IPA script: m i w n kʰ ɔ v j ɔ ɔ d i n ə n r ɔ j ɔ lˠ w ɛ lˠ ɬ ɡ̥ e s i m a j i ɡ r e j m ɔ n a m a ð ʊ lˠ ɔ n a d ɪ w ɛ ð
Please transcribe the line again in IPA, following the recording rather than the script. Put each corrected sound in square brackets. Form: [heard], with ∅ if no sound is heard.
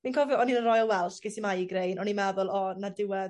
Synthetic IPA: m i [∅] n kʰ ɔ v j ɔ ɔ [n] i n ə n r ɔ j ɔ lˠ w ɛ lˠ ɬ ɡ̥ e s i m a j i ɡ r e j [n] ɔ n [i] m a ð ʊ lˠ ɔ n a d ɪ w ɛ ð